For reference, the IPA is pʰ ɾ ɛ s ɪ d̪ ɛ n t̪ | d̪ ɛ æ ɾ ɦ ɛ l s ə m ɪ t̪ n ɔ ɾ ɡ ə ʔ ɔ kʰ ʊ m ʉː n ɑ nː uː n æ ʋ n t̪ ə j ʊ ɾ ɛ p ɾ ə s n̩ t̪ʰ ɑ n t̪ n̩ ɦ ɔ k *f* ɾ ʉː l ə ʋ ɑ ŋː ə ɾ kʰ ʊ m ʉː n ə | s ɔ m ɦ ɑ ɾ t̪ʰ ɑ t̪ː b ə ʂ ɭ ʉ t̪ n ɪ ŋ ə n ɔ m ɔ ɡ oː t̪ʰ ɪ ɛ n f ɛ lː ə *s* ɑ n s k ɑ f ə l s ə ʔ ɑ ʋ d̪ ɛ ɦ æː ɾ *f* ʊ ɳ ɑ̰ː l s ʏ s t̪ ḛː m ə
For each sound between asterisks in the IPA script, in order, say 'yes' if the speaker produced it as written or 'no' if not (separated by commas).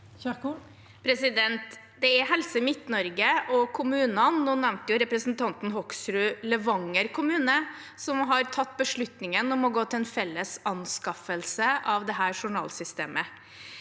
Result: no, yes, no